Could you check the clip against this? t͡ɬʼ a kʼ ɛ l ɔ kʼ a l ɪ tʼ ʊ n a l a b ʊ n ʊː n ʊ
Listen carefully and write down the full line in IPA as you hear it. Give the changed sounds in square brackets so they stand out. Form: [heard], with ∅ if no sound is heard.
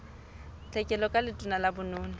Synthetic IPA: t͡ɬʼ [ɛ] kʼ ɛ l ɔ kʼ a l ɪ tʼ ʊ n a l a b ʊ n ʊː n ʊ